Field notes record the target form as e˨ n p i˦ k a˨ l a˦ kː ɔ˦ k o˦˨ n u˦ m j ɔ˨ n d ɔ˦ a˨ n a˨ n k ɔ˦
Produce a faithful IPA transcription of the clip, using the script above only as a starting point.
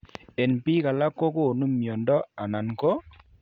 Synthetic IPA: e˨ n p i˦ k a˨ l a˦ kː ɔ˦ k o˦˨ n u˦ m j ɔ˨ n d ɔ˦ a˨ n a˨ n k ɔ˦

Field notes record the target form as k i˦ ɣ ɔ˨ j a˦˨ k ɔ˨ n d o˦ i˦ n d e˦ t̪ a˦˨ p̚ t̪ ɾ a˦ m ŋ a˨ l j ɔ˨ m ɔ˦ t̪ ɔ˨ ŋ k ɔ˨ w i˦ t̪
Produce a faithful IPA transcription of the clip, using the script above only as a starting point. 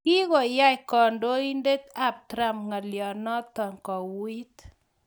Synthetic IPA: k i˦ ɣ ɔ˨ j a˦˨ k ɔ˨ n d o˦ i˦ n d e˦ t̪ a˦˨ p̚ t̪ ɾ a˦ m ŋ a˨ l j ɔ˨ n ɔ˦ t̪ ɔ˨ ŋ k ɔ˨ w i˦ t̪

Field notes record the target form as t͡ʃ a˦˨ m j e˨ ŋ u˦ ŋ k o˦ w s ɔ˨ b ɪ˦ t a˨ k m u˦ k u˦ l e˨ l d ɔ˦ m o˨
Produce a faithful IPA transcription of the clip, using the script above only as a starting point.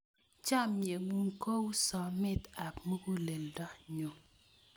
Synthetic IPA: t͡ʃ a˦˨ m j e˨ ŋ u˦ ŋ k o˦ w s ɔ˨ m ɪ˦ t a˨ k m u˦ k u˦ l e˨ l d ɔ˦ ɲ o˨

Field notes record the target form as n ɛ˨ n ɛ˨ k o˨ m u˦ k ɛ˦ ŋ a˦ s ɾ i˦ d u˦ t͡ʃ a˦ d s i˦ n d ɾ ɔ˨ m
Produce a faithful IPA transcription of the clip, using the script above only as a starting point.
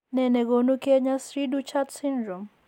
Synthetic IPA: n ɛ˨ n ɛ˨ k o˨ n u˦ k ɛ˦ ɲ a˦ s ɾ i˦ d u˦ t͡ʃ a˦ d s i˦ n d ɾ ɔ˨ m

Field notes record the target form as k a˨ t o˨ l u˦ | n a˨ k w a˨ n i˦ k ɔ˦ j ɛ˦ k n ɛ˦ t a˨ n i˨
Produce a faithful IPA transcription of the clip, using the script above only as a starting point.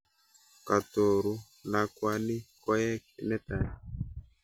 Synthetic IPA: k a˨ t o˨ ɾ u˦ | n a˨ k w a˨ n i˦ k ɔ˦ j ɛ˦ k n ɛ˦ t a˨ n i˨

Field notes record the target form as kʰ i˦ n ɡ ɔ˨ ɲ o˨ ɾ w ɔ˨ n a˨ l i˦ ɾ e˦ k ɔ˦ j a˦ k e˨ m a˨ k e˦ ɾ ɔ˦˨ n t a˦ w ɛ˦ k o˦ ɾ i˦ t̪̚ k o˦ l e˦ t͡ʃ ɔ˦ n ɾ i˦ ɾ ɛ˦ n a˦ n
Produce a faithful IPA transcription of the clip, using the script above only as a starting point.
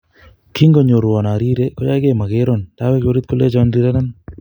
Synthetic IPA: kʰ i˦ ŋ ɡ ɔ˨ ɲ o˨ ɾ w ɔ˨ n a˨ ɾ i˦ ɾ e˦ k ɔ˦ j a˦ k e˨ m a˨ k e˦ ɾ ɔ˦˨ n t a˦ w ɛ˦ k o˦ ɾ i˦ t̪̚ k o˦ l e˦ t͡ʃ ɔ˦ n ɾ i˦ ɾ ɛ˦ n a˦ n

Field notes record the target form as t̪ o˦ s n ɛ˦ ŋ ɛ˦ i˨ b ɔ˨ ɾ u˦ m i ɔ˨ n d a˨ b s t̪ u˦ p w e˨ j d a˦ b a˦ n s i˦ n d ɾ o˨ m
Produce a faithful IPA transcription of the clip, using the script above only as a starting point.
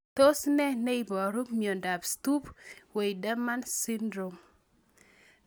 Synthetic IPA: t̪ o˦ s n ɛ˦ n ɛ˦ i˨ b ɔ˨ ɾ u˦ m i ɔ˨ n d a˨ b s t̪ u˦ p w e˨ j d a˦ m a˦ n s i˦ n d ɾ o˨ m

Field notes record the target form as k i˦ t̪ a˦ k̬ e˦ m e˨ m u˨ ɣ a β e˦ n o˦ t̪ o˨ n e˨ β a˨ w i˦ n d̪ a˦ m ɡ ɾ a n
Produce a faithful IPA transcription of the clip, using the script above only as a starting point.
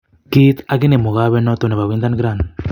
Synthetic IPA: k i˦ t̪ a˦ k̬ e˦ n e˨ m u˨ ɣ a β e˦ n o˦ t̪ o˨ n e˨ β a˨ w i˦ n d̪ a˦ n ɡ ɾ a n

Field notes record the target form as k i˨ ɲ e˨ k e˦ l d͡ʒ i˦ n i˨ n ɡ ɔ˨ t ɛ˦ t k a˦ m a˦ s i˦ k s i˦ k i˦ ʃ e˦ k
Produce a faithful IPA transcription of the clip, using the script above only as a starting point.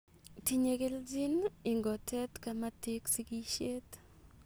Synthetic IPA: t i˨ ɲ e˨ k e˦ l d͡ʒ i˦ n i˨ ŋ ɡ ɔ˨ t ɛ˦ t k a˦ m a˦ t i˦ k s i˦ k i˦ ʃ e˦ t

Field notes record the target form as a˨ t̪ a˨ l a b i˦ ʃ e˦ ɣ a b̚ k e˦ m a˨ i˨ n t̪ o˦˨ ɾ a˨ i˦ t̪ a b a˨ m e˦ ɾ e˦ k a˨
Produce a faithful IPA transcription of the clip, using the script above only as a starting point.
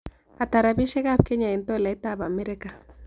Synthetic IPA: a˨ t̪ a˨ ɾ a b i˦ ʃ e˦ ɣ a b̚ k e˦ ɲ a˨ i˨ n t̪ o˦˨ l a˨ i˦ t̪ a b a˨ m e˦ ɾ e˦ k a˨

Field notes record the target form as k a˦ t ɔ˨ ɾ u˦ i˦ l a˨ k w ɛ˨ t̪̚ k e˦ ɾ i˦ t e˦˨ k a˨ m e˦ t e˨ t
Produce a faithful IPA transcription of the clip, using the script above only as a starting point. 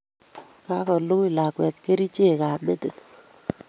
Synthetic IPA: k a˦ k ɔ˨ l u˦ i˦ l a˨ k w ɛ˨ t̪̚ k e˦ ɾ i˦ t͡ʃ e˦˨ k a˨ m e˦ t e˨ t

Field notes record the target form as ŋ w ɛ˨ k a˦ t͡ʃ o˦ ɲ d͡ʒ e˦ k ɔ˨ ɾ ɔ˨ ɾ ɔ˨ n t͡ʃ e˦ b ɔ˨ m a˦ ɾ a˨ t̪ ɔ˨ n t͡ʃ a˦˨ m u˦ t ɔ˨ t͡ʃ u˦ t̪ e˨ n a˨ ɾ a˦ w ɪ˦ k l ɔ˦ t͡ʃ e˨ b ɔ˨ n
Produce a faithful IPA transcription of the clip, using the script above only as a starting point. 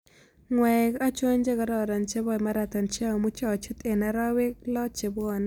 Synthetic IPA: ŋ w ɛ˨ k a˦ t͡ʃ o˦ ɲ d͡ʒ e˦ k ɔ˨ ɾ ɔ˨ ɾ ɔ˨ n t͡ʃ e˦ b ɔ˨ m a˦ ɾ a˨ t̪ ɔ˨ n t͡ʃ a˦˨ m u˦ t͡ʃ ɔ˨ t͡ʃ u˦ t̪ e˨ n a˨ ɾ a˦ w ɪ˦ k l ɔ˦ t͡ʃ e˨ b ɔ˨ n

